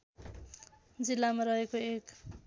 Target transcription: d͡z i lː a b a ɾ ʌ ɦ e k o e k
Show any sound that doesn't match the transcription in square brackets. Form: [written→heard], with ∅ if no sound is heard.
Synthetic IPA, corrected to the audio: d͡z i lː a [b→m] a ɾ ʌ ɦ e k o e k

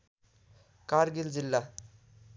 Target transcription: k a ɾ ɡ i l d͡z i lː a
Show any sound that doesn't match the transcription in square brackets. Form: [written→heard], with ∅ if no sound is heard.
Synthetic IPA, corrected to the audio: k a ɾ ɡ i l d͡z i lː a

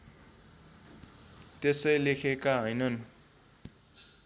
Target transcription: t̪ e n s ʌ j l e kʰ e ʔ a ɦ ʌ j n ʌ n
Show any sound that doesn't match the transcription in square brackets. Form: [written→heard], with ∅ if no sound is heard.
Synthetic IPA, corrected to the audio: t̪ e [n→∅] s ʌ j l e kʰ e [ʔ→k] a ɦ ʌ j n ʌ n

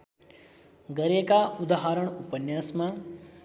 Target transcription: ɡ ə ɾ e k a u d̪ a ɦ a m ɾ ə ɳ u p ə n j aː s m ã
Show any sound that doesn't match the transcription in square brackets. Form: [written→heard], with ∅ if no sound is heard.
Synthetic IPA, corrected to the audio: ɡ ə ɾ e k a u d̪ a ɦ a [m→∅] ɾ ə ɳ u p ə n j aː s m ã

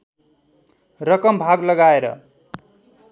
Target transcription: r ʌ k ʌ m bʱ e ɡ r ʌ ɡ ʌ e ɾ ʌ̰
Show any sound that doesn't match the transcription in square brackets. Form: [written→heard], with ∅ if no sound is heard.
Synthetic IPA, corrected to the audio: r ʌ k ʌ m bʱ [e→a] ɡ [r→l] ʌ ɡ [ʌ→a] e ɾ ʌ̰

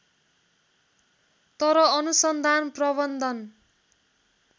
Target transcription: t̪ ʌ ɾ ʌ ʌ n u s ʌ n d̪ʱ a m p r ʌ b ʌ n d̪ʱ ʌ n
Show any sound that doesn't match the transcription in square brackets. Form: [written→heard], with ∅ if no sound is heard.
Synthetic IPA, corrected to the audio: t̪ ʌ ɾ ʌ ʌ n u s ʌ n d̪ʱ a [m→n] p r ʌ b ʌ n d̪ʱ ʌ n

